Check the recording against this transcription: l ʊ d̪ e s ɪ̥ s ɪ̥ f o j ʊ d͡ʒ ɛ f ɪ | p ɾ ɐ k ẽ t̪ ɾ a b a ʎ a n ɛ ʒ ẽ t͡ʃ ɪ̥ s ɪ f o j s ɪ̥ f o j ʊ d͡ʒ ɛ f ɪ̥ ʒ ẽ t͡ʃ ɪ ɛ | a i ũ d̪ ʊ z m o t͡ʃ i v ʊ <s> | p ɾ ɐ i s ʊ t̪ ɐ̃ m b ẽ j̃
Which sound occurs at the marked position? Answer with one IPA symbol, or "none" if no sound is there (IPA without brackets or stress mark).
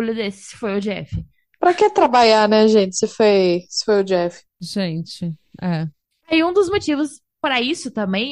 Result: s